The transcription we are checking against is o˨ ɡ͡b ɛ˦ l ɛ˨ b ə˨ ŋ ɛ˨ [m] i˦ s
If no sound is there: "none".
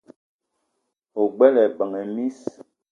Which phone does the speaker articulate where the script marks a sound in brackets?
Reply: m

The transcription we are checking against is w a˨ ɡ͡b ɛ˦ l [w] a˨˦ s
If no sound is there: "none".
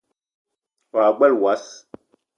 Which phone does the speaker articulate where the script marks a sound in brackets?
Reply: w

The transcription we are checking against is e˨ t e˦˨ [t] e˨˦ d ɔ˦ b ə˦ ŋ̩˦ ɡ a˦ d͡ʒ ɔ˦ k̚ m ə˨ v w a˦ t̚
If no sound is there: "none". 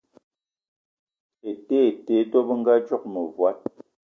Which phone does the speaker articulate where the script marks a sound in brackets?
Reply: t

